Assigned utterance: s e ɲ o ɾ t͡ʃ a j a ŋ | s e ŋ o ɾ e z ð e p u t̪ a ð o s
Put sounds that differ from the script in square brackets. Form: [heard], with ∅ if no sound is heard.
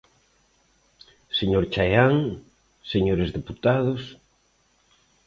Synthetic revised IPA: s e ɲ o ɾ t͡ʃ a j a ŋ | s e [ɲ] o ɾ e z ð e p u t̪ a ð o s